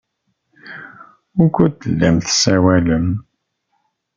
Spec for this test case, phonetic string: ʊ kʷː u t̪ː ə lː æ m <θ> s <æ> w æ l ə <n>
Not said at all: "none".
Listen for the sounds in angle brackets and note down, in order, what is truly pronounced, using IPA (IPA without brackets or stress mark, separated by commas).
θ, æ, m